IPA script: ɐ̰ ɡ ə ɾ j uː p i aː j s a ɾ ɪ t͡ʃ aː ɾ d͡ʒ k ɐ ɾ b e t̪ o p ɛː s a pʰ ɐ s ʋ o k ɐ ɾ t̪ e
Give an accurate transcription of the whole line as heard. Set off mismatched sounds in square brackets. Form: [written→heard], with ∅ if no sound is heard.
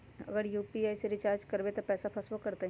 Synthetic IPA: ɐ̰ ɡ ə ɾ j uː p i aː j s [a→e] ɾ ɪ t͡ʃ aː ɾ d͡ʒ k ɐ ɾ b e t̪ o p ɛː s a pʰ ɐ s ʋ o k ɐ ɾ t̪ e